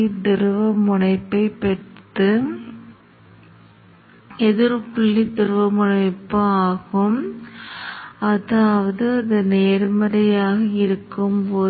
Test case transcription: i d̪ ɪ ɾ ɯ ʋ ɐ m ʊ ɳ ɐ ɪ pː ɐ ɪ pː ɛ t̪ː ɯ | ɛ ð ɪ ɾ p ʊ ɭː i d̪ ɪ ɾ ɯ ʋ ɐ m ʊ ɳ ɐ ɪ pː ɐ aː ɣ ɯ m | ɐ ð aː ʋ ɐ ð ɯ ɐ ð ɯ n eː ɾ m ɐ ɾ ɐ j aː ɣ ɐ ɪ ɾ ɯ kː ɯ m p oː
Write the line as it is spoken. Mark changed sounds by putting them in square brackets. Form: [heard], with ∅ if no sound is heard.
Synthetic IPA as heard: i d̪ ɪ ɾ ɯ ʋ ɐ m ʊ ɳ ɐ ɪ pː ɐ ɪ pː ɛ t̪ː ɯ | ɛ ð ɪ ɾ p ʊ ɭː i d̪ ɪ ɾ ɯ ʋ ɐ m ʊ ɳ ɐ ɪ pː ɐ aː ɣ ɯ m | ɐ ð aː ʋ ɐ ð ɯ ɐ ð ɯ n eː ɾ m ɐ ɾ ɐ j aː ɣ ɐ ɪ ɾ ɯ kː ɯ m p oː